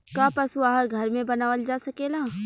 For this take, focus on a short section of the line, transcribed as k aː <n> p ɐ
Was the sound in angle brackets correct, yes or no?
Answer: no